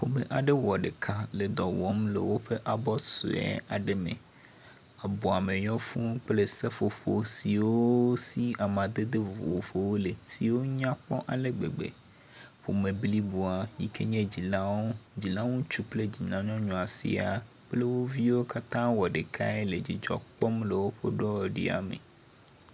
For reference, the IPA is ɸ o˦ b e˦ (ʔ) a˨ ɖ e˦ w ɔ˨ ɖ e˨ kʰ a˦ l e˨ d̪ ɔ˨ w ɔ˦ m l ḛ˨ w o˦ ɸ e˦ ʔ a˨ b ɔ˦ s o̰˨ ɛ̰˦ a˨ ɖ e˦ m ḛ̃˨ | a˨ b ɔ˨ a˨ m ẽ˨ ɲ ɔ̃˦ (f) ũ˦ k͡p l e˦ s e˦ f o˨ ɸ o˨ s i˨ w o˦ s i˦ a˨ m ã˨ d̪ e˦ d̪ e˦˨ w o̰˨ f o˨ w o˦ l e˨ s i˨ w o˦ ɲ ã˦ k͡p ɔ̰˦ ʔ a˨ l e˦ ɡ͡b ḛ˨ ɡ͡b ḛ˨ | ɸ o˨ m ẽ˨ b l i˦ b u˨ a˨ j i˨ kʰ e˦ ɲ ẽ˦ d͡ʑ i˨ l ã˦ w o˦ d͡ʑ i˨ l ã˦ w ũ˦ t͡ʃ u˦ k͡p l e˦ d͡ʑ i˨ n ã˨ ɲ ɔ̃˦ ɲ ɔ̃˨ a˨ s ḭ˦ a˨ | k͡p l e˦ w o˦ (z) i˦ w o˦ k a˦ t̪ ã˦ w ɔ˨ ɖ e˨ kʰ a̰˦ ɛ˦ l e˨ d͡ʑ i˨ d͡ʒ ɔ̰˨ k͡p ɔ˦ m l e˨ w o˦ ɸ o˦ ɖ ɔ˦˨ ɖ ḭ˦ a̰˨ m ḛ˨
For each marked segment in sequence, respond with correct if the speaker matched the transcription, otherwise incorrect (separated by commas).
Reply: correct, correct, incorrect